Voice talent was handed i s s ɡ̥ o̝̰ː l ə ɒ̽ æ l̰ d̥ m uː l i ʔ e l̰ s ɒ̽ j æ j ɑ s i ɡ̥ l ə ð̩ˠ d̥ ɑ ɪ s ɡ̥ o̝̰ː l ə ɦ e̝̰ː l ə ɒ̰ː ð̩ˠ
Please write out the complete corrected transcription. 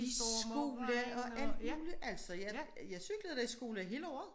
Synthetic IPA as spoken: i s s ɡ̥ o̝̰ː l ə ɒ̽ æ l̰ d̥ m uː l i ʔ æ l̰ s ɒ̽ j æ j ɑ s y ɡ̥ l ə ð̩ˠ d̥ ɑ i s ɡ̥ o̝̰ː l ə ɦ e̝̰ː l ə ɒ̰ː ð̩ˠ